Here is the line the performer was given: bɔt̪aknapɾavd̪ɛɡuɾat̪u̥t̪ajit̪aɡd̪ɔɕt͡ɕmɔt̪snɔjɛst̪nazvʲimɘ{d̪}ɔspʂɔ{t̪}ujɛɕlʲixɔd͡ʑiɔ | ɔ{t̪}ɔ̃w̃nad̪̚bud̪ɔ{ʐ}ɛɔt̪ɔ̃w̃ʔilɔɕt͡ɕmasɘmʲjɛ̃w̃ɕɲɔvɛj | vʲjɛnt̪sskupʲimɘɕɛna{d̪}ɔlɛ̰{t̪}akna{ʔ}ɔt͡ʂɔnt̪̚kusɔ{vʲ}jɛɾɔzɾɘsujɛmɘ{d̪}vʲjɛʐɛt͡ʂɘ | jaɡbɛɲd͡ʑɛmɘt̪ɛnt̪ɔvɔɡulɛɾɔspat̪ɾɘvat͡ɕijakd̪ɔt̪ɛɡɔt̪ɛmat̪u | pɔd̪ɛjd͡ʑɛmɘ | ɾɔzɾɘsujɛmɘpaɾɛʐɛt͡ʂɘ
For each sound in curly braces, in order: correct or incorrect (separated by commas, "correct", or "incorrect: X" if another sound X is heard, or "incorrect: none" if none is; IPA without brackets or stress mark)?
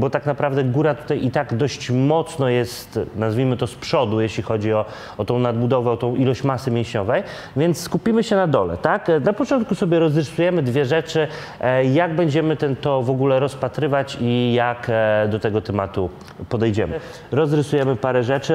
incorrect: t̪, incorrect: d̪, correct, incorrect: v, correct, correct, incorrect: p, incorrect: bʲ, correct